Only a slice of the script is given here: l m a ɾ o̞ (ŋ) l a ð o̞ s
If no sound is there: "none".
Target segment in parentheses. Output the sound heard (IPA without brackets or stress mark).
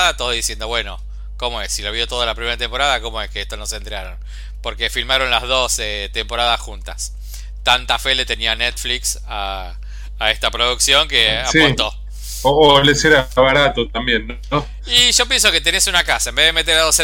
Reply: n